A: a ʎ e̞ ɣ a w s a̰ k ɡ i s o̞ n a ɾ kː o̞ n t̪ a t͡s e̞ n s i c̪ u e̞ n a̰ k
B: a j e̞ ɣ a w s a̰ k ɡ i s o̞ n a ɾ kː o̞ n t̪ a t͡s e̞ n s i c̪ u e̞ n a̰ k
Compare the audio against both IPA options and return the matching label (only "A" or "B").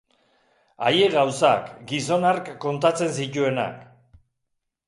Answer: B